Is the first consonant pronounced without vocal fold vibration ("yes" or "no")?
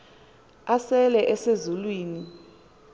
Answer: yes